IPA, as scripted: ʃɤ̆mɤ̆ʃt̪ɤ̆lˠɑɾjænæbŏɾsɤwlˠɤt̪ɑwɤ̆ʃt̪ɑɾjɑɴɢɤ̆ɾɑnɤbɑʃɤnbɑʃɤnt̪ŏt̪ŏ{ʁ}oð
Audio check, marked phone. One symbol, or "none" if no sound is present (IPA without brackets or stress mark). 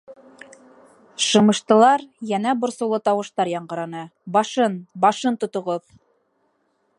ʁ